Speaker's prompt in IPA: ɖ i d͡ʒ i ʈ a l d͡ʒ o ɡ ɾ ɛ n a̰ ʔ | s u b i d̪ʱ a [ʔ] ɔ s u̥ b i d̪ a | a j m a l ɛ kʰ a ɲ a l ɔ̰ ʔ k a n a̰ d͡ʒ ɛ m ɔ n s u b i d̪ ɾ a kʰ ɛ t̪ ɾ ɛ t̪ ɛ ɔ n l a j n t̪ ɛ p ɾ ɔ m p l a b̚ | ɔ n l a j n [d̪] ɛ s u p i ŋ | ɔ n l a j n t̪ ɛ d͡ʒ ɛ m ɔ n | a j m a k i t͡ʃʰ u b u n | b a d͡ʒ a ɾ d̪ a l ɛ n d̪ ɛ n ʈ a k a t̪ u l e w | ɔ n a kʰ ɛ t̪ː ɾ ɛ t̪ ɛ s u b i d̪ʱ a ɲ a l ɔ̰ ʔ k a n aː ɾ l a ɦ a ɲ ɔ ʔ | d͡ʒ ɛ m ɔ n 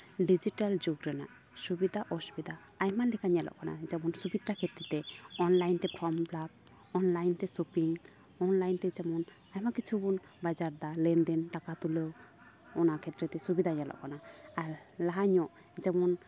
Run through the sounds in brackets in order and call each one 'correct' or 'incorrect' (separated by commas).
correct, incorrect